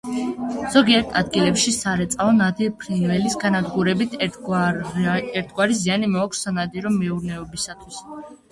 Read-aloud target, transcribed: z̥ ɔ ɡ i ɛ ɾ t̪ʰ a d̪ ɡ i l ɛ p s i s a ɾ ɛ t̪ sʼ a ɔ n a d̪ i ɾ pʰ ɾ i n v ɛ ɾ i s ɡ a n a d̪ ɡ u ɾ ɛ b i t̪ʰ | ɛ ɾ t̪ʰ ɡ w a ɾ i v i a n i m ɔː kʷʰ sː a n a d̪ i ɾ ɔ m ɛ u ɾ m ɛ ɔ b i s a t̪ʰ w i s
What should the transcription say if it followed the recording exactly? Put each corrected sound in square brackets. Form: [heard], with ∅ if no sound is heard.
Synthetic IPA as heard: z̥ ɔ ɡ i ɛ ɾ t̪ʰ a d̪ ɡ i l ɛ p [ʃ] i s a ɾ ɛ t̪ sʼ a ɔ n a d̪ i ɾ pʰ ɾ i n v ɛ [l] i s ɡ a n a d̪ ɡ u ɾ ɛ b i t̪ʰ | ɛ ɾ t̪ʰ ɡ w a ɾ i [z] i a n i m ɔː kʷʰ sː a n a d̪ i ɾ ɔ m ɛ u ɾ [n] ɛ ɔ b i s a t̪ʰ w i s